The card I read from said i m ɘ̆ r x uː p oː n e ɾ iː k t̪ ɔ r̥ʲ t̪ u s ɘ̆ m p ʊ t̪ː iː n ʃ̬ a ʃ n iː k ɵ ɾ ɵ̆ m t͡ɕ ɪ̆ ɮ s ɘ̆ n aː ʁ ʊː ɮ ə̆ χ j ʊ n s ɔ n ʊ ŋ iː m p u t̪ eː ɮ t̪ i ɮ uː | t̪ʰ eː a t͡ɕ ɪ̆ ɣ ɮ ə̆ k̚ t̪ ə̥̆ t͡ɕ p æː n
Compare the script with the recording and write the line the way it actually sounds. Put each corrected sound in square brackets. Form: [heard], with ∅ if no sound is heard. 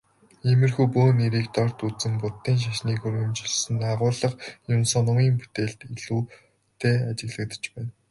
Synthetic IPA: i m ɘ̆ r x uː p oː n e ɾ iː k t̪ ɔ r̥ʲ t̪ u [t͡s] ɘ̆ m p ʊ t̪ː iː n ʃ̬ a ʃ n iː k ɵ ɾ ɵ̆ m t͡ɕ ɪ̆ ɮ s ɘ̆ n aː ʁ ʊː ɮ ə̆ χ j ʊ n s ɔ n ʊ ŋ iː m p u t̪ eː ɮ t̪ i ɮ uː | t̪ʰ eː a t͡ɕ ɪ̆ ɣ ɮ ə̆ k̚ t̪ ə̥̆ t͡ɕ p æː n